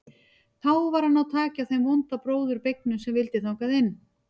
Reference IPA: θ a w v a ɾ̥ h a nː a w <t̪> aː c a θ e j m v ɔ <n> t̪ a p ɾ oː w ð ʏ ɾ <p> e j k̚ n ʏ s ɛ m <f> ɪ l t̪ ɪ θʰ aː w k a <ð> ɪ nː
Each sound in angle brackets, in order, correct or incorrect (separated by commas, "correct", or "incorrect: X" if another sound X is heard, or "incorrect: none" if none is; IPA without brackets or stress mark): incorrect: t̪ʰ, correct, correct, incorrect: v, correct